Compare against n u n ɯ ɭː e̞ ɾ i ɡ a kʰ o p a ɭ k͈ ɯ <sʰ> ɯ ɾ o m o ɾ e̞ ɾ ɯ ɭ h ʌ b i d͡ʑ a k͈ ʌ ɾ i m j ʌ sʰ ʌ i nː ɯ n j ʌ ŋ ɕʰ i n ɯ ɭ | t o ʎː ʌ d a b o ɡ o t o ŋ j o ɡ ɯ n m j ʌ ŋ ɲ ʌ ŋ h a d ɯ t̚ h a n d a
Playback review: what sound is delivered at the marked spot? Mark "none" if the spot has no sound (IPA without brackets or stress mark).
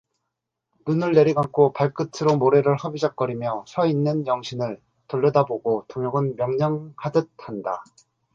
tʰ